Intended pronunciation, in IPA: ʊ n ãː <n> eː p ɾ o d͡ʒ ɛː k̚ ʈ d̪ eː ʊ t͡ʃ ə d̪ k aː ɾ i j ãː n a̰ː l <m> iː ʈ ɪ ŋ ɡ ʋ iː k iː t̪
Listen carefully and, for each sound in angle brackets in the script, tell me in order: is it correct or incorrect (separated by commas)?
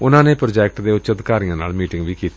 correct, correct